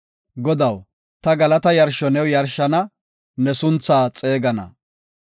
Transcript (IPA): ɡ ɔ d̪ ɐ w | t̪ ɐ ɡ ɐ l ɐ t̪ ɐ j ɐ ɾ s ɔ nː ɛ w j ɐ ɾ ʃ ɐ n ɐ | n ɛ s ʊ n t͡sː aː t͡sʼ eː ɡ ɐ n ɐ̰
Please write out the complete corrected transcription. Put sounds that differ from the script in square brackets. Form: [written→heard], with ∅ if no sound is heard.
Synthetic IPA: ɡ ɔ d̪ ɐ w | t̪ ɐ ɡ ɐ l ɐ t̪ ɐ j ɐ ɾ [s→ʃ] ɔ [nː→n] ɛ w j ɐ ɾ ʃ ɐ n ɐ | n ɛ s ʊ n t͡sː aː t͡sʼ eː ɡ ɐ n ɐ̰